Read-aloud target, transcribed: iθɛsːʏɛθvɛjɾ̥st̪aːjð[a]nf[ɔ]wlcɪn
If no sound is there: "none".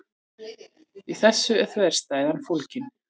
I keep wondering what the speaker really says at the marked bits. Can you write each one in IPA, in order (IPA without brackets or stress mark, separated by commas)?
a, o